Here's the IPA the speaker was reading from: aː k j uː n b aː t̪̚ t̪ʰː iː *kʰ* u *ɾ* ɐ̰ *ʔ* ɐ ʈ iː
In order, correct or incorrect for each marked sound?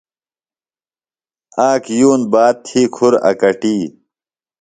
correct, correct, incorrect: k

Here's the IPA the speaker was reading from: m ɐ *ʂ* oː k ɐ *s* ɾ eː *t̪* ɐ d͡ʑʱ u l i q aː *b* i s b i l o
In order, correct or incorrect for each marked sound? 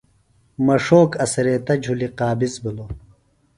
correct, correct, correct, correct

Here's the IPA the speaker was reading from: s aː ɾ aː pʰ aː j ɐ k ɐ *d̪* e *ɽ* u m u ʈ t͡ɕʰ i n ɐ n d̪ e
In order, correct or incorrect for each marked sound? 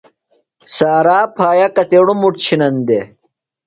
incorrect: t̪, correct

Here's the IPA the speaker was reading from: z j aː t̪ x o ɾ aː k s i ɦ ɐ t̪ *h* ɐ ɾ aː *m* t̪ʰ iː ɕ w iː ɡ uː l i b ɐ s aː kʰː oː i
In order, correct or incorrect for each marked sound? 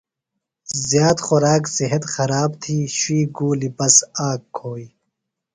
incorrect: x, incorrect: b

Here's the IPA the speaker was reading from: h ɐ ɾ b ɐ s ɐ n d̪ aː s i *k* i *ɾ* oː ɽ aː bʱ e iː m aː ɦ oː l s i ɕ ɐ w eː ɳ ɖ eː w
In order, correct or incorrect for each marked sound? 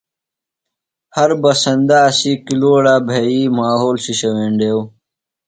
correct, incorrect: l

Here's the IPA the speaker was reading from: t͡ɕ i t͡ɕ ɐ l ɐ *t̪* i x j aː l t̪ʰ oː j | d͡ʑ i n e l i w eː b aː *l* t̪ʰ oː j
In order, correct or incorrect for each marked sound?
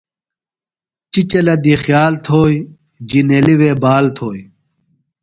incorrect: d̪, correct

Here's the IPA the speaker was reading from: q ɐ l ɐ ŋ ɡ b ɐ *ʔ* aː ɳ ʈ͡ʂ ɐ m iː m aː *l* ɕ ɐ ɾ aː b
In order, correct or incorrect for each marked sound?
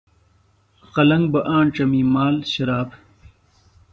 correct, correct

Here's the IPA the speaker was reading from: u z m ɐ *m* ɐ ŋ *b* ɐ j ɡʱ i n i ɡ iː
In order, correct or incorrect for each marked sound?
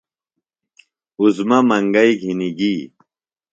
correct, incorrect: ɡ

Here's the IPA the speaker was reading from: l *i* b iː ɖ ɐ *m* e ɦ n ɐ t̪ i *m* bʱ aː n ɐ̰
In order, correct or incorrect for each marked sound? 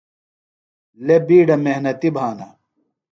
incorrect: e, correct, incorrect: none

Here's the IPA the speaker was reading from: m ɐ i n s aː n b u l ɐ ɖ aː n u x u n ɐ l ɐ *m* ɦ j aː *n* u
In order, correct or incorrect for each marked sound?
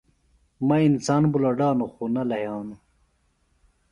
incorrect: none, correct

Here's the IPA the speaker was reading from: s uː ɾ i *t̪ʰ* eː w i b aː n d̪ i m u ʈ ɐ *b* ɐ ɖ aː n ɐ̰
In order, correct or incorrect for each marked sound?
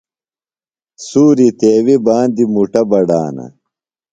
incorrect: t̪, correct

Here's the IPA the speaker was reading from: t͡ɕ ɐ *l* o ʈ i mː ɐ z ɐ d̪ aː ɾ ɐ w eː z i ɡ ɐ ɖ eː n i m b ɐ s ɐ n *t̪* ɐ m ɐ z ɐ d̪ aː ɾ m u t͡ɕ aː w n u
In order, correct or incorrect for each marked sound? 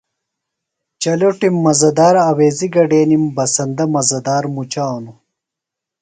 correct, incorrect: d̪

